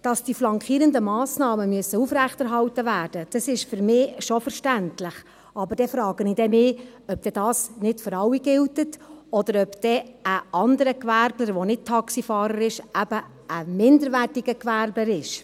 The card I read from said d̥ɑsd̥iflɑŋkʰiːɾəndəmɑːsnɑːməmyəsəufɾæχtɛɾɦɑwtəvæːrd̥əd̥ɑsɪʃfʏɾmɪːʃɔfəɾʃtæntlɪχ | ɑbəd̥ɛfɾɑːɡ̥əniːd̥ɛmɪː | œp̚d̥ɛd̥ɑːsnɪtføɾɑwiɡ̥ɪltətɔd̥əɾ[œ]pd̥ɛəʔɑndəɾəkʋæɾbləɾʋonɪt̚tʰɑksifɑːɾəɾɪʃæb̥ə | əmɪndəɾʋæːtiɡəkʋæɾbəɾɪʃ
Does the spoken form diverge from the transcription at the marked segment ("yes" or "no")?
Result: no